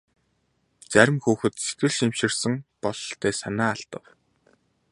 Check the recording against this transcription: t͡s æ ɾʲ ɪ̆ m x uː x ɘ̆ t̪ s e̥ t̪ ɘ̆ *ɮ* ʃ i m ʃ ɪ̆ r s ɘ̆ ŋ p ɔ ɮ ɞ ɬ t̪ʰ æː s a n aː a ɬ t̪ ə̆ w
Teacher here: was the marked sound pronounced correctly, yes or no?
yes